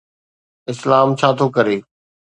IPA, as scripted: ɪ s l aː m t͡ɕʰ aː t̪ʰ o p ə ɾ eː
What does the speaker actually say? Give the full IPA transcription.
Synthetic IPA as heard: ɪ s l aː m t͡ɕʰ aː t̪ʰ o k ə ɾ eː